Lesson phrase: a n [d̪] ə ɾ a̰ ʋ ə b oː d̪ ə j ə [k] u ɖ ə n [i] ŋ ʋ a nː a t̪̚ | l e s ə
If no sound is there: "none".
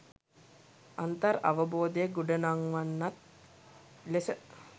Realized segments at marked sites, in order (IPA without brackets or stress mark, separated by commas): t̪, ɡ, a